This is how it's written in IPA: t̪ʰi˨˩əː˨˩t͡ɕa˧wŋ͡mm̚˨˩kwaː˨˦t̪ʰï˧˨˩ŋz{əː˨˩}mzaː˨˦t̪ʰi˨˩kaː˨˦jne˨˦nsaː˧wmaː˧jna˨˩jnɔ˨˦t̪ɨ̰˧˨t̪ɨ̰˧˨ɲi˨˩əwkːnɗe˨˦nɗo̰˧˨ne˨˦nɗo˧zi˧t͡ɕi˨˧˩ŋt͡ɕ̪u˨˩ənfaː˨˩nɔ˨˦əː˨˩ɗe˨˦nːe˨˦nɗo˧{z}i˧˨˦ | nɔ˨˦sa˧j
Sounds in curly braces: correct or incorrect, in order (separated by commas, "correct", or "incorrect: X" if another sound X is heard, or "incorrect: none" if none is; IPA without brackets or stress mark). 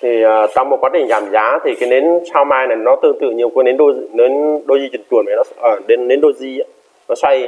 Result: incorrect: aː˨˩, correct